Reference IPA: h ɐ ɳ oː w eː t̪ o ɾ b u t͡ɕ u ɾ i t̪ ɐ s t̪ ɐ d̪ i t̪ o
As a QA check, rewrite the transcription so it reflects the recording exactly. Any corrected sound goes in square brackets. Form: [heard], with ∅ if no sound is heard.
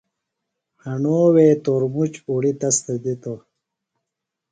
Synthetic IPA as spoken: h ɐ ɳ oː w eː t̪ o ɾ [m] u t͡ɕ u [ɽ] i t̪ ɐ s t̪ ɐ d̪ i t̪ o